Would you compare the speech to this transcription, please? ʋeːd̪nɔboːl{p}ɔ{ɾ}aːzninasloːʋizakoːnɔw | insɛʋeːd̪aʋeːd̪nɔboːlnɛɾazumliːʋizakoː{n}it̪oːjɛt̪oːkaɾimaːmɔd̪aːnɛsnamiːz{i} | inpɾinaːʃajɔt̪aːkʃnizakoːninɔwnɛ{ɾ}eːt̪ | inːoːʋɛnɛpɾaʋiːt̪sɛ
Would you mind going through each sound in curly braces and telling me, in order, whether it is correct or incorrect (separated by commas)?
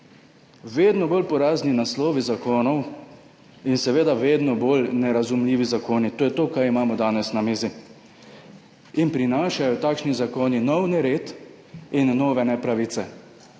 correct, correct, correct, correct, correct